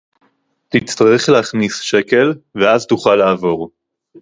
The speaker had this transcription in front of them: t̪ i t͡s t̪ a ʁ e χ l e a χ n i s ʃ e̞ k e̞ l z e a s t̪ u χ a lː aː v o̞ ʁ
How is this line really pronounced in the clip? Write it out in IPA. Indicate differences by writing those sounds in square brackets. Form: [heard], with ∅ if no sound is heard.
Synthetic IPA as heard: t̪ i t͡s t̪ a ʁ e χ l e a χ n i s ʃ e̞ k e̞ l [v] e a [z] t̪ u χ a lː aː v o̞ ʁ